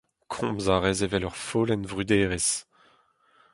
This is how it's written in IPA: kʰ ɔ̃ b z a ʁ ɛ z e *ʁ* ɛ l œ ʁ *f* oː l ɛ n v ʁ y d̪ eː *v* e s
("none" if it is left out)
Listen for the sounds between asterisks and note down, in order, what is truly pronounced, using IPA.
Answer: v, f, ʁ

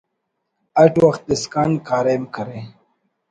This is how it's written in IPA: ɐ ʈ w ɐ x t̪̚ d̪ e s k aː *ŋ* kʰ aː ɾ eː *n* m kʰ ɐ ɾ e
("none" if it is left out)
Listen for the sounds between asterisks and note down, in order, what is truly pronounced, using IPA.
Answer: n, none

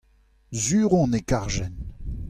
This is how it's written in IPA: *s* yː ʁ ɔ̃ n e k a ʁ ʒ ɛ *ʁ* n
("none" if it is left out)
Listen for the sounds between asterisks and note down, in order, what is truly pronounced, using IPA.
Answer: z, none

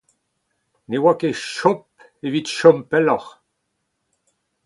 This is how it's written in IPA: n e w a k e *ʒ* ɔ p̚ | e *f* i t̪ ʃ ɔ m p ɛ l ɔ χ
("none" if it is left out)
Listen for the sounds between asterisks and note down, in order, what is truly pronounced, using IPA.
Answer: ʃ, v

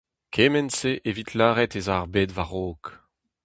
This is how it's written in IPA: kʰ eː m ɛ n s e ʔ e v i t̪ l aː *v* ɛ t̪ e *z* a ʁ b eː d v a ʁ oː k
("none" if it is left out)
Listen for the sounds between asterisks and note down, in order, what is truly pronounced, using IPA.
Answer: ʁ, z

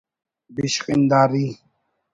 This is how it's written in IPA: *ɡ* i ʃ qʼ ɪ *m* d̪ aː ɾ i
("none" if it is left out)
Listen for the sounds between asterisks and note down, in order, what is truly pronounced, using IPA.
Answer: b, n

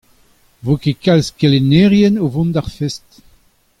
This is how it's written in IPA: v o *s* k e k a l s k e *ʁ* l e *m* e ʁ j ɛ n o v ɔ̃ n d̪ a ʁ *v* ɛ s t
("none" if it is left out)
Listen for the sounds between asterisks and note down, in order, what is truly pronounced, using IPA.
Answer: none, none, n, f

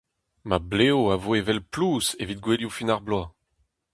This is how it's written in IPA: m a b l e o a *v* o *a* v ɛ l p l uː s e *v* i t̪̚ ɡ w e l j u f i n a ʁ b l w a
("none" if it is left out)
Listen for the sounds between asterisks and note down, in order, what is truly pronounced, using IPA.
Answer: v, e, v

